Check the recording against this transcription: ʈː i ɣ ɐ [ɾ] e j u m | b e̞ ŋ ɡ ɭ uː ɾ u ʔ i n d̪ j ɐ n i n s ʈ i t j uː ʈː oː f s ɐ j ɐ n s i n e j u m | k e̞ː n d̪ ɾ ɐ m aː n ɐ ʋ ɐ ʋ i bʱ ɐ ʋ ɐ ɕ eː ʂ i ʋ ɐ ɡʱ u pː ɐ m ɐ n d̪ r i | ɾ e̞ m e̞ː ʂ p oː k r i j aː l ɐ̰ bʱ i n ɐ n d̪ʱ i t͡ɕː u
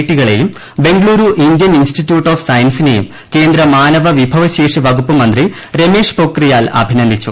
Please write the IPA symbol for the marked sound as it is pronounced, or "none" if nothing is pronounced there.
ɭ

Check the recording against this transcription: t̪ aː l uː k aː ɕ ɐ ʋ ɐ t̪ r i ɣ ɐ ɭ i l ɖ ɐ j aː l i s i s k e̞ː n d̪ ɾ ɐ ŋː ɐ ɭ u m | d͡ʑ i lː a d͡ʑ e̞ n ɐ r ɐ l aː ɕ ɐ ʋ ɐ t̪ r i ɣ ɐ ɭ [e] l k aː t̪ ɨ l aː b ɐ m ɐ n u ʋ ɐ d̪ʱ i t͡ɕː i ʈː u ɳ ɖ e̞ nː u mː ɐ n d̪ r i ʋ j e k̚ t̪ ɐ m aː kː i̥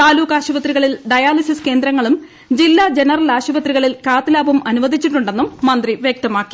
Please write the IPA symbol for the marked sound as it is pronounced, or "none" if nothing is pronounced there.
i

